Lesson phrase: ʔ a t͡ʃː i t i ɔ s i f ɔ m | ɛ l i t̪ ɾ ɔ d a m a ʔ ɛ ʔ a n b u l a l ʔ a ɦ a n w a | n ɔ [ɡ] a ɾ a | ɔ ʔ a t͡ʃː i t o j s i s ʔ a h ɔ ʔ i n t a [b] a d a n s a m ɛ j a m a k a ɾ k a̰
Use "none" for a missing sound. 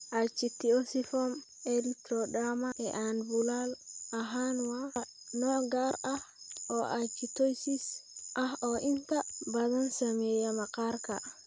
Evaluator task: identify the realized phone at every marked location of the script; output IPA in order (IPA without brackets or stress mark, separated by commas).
ɡ, b